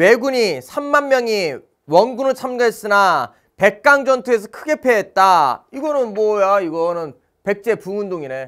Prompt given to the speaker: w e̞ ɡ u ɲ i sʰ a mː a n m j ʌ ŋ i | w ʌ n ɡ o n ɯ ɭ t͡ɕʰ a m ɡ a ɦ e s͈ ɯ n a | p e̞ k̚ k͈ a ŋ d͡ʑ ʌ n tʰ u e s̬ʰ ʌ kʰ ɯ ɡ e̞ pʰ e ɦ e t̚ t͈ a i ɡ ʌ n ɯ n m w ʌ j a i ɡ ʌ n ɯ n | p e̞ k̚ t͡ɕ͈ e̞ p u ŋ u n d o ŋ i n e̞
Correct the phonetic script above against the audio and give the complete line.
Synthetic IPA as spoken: w e̞ ɡ u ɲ i sʰ a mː a n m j ʌ ŋ i | w ʌ n ɡ u n ɯ ɭ t͡ɕʰ a m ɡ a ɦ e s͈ ɯ n a | p e̞ k̚ k͈ a ŋ d͡ʑ ʌ n tʰ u e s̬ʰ ʌ kʰ ɯ ɡ e̞ pʰ e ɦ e t̚ t͈ a i ɡ ʌ n ɯ n m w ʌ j a i ɡ ʌ n ɯ n | p e̞ k̚ t͡ɕ͈ e̞ p u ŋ u n d o ŋ i n e̞